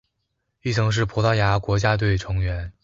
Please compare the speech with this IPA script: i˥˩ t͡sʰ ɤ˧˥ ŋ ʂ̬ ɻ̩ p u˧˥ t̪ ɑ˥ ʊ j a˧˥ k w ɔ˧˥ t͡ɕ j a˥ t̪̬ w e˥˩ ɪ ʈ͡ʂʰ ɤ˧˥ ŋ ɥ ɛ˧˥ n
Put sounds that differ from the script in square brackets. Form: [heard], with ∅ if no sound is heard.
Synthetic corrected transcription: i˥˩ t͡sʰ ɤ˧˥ ŋ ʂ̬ ɻ̩ [pʰ] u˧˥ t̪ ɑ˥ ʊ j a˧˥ k w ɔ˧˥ t͡ɕ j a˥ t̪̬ w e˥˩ ɪ ʈ͡ʂʰ ɤ˧˥ ŋ ɥ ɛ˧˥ n